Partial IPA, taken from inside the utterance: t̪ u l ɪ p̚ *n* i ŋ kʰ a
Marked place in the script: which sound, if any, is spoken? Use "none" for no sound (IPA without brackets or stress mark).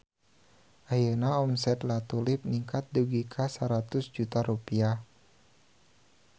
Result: n